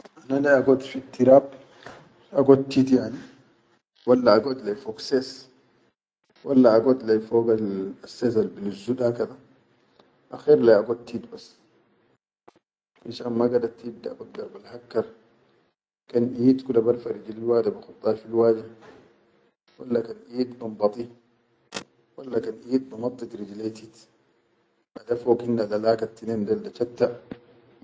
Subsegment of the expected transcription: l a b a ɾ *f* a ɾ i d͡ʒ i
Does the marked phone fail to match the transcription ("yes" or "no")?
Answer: no